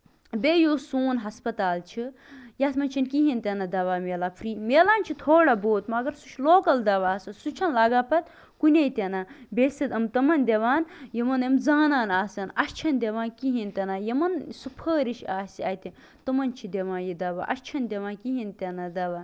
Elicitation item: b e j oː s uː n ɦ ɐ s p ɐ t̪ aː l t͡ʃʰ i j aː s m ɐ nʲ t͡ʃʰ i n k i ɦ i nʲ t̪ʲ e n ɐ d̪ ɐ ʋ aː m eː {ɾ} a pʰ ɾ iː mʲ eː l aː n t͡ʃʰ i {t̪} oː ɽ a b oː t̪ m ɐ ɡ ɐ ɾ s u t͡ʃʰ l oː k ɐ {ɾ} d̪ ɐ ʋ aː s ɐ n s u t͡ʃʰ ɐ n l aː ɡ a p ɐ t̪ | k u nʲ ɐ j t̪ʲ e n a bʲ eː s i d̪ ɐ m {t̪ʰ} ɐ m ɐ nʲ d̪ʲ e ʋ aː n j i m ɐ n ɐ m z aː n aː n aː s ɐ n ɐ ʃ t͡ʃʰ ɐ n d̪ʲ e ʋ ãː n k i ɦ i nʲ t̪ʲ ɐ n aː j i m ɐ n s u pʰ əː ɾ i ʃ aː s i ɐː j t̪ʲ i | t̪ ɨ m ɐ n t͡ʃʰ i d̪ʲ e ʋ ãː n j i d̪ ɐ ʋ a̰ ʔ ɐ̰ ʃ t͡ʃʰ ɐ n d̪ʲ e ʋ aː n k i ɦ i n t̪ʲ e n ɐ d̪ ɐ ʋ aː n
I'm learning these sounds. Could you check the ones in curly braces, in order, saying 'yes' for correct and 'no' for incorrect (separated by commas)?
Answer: no, no, no, no